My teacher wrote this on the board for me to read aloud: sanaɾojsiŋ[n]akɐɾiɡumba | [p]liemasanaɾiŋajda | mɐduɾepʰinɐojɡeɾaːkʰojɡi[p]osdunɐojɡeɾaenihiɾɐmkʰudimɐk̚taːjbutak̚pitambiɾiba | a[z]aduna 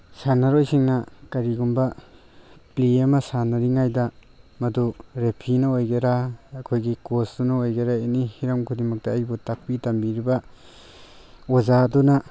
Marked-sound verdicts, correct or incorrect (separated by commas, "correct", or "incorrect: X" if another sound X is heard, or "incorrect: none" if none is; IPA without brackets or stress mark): correct, correct, incorrect: k, correct